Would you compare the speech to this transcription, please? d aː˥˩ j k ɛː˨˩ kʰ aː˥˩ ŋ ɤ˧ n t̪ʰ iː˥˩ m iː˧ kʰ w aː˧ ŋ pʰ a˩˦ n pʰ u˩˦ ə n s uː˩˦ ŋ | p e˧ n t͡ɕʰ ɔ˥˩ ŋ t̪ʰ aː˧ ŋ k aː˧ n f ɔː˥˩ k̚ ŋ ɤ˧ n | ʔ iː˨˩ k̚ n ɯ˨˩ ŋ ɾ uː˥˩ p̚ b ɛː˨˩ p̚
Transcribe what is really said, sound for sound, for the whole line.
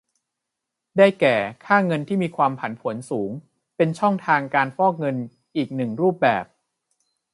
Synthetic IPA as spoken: d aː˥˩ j k ɛː˨˩ kʰ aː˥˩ ŋ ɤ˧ n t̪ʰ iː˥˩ m iː˧ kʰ w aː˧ m pʰ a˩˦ n pʰ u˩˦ ə n s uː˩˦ ŋ | p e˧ n t͡ɕʰ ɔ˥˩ ŋ t̪ʰ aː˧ ŋ k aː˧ n f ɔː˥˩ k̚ ŋ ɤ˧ n | ʔ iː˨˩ k̚ n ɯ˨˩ ŋ ɾ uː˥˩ p̚ b ɛː˨˩ p̚

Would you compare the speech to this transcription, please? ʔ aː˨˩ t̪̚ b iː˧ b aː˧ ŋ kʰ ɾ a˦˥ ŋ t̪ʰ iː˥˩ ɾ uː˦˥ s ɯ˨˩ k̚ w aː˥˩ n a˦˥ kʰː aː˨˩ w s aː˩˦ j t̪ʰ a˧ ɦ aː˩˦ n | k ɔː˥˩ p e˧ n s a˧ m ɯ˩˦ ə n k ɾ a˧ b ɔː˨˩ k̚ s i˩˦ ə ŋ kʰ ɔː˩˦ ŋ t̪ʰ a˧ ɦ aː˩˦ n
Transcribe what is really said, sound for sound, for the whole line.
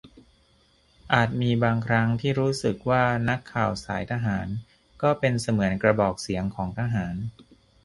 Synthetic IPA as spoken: ʔ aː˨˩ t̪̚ m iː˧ b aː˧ ŋ kʰ ɾ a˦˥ ŋ t̪ʰ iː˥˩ ɾ uː˦˥ s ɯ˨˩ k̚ w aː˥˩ n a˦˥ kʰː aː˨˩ w s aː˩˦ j t̪ʰ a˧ ɦ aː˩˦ n | k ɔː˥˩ p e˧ n s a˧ m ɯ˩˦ ə n k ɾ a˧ b ɔː˨˩ k̚ s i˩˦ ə ŋ kʰ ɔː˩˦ ŋ t̪ʰ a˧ ɦ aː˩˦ n

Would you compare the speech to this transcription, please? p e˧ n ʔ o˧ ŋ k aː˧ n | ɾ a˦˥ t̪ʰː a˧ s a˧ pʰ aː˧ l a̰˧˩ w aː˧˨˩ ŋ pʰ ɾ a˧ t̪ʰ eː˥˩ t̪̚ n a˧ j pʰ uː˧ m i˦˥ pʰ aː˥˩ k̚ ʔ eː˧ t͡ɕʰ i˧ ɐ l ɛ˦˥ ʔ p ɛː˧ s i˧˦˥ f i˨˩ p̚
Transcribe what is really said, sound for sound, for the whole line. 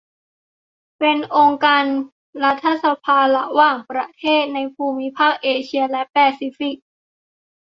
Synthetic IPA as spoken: p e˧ n ʔ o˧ ŋ k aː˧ n | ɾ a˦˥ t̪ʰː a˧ s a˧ pʰ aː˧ l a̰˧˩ w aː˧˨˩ ŋ p ɾ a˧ t̪ʰ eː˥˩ t̪̚ n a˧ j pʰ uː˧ m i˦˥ pʰ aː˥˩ k̚ ʔ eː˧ t͡ɕʰ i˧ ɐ l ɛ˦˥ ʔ p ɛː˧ s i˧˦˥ f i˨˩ k̚

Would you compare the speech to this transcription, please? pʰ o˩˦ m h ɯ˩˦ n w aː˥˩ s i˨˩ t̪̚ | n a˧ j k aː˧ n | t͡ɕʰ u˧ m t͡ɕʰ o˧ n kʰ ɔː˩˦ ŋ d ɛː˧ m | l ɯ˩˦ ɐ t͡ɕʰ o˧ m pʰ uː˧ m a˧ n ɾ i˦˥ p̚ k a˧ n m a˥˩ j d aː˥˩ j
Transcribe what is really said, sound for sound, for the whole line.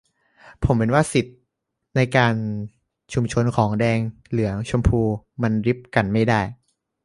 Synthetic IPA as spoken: pʰ o˩˦ m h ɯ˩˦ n w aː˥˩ s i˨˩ t̪̚ | n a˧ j k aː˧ n | t͡ɕʰ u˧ m t͡ɕʰ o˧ n kʰ ɔː˩˦ ŋ d ɛː˧ ŋ | l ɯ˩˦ ɐ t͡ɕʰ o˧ m pʰ uː˧ m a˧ n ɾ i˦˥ p̚ k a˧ n m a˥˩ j d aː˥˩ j

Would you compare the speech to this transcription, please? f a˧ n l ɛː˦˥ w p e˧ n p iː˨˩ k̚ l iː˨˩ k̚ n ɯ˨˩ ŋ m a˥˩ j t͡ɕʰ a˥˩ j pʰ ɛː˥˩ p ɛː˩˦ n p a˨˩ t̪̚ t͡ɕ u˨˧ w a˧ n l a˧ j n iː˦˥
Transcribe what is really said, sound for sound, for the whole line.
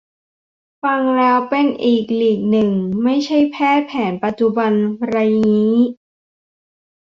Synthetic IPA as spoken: f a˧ ŋ l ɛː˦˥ w p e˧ n ʔ iː˨˩ k̚ l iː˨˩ k̚ n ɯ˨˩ ŋ m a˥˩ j t͡ɕʰ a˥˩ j pʰ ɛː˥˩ pʰ ɛː˩˦ n p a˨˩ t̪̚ t͡ɕ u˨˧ b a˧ n ɾ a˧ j n iː˦˥

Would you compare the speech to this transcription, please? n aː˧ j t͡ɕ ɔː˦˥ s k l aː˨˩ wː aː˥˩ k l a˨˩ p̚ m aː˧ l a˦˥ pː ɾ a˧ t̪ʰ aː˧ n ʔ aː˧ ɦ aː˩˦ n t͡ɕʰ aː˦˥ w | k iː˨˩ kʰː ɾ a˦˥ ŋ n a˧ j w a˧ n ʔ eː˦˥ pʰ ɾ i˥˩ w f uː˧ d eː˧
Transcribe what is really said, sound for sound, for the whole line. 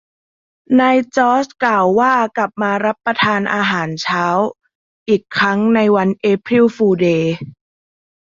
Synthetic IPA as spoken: n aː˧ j t͡ɕ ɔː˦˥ s k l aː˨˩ wː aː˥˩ k l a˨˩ p̚ m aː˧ ɾ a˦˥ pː ɾ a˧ t̪ʰ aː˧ n ʔ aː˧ ɦ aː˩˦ n t͡ɕʰ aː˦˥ w | ʔ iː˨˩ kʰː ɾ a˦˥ ŋ n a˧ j w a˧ n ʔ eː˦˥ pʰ ɾ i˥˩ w f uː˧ d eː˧

